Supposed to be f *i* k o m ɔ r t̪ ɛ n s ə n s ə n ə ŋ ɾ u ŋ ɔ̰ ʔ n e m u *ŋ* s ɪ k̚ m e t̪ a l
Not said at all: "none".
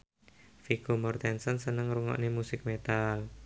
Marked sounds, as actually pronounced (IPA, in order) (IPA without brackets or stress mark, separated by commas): i, none